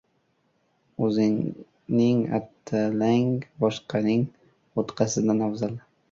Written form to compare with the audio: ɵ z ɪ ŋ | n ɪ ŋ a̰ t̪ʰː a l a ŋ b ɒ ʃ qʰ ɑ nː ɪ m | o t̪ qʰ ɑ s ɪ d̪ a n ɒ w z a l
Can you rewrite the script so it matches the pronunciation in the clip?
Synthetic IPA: ɵ z ɪ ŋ | n ɪ ŋ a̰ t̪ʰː a l a ŋ b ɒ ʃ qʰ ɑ n ɪ ŋ | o t̪ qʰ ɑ s ɪ d̪ a n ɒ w z a l